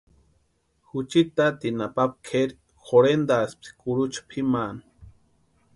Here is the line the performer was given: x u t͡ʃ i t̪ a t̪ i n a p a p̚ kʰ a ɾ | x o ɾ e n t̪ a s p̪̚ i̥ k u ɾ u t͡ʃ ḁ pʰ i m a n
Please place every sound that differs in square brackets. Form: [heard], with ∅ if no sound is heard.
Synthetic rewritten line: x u t͡ʃ i t̪ a t̪ i n a p a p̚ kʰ [e] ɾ | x o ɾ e n [d̪] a s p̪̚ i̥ k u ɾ u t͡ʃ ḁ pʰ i m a n